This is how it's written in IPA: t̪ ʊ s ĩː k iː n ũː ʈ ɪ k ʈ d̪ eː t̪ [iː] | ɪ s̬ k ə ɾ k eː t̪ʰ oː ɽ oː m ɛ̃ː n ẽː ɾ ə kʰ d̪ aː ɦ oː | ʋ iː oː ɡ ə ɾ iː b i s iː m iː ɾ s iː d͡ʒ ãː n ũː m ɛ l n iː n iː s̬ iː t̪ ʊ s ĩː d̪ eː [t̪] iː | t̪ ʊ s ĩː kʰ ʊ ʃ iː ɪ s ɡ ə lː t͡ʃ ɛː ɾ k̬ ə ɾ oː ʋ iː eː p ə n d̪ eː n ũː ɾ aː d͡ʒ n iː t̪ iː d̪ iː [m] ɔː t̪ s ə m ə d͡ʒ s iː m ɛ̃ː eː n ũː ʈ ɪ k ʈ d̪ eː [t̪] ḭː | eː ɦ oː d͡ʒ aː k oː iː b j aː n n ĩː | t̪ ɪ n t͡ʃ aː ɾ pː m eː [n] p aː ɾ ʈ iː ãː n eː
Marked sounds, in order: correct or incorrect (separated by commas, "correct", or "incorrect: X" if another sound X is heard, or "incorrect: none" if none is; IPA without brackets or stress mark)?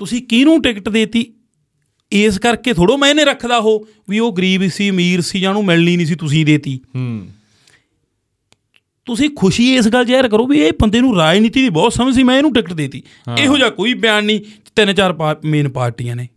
correct, correct, incorrect: b, correct, correct